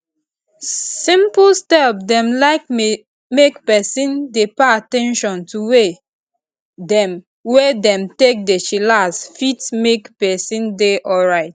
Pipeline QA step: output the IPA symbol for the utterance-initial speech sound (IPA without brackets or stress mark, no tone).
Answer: s